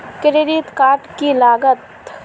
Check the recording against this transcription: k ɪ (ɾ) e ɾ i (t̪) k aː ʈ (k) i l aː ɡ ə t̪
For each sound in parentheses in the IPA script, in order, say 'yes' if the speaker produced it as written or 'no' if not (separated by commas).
yes, yes, yes